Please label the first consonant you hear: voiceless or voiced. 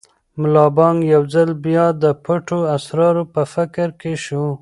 voiced